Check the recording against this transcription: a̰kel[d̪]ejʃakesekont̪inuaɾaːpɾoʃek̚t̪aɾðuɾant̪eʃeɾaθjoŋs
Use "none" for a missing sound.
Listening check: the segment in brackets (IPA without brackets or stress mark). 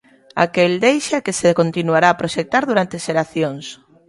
d̪